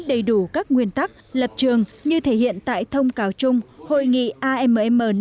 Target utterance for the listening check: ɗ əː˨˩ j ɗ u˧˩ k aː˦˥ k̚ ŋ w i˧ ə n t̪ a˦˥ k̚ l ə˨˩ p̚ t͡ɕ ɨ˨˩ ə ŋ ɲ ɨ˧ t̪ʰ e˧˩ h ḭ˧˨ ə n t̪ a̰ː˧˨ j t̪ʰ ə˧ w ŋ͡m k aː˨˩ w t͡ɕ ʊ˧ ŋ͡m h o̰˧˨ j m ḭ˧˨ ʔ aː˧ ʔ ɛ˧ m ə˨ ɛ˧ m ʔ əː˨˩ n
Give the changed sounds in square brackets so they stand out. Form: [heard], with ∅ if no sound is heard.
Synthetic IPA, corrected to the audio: ɗ [ə˨˩] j ɗ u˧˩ k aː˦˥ k̚ ŋ w i˧ ə n t̪ a˦˥ k̚ l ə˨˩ p̚ t͡ɕ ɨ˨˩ ə ŋ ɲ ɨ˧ t̪ʰ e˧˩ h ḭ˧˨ ə n t̪ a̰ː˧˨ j t̪ʰ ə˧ w ŋ͡m k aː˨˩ w t͡ɕ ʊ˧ ŋ͡m h o̰˧˨ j [ŋ] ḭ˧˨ ʔ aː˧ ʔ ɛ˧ m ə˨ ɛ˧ m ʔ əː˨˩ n